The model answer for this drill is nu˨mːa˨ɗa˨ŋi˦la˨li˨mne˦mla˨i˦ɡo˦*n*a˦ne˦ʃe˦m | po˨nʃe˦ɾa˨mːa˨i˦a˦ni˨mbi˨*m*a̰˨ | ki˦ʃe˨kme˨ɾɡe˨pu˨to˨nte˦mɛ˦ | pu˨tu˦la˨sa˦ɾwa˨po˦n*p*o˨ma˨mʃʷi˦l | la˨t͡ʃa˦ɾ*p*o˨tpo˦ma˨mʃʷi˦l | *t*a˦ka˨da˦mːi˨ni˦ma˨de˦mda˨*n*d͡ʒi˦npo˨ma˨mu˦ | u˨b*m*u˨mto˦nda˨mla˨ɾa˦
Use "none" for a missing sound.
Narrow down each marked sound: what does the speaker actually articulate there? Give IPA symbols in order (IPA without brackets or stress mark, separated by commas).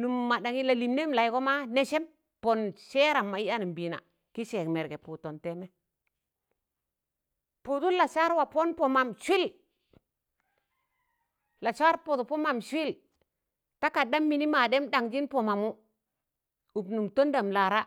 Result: m, n, p, p, t, ŋ, n